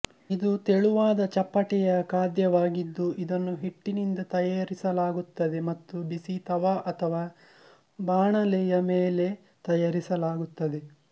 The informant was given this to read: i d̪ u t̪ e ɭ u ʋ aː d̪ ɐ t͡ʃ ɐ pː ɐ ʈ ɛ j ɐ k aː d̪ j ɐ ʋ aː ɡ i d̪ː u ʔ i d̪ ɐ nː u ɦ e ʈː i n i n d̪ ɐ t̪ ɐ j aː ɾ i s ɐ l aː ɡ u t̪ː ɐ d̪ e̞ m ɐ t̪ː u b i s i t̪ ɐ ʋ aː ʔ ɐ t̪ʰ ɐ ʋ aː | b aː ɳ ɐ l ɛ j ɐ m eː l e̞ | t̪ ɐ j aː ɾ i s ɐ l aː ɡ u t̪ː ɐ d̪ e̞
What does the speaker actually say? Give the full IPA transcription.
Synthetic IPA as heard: i d̪ u t̪ e ɭ u ʋ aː d̪ ɐ t͡ʃ ɐ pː ɐ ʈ ɛ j ɐ k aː d̪ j ɐ ʋ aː ɡ i d̪ː u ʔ i d̪ ɐ nː u ɦ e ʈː i n i n d̪ ɐ t̪ ɐ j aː ɾ i s ɐ l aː ɡ u t̪ː ɐ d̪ e̞ m ɐ t̪ː u b i s i t̪ ɐ ʋ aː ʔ ɐ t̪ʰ ɐ ʋ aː | b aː ɳ ɐ l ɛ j ɐ m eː l e̞ | t̪ ɐ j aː ɾ i s ɐ l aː ɡ u t̪ː ɐ d̪ e̞